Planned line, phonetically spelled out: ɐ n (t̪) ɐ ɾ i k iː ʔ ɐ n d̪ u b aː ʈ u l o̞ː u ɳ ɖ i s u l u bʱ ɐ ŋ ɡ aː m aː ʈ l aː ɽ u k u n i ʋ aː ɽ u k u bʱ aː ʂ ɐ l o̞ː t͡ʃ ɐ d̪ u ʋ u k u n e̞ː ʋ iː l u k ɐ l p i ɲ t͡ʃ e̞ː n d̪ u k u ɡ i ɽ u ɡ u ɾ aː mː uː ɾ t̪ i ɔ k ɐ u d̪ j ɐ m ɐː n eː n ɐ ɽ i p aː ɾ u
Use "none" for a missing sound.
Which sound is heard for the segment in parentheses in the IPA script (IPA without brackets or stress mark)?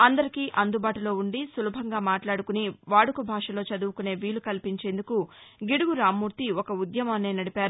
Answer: d̪